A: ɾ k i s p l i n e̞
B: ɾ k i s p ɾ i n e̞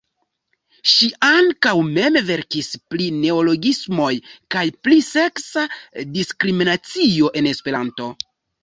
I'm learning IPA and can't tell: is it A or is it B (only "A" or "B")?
A